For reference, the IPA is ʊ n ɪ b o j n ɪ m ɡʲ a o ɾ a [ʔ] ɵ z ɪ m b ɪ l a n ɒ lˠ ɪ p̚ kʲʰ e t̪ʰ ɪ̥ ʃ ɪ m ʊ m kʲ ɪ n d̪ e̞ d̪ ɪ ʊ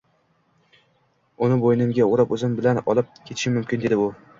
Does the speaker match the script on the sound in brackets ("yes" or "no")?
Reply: no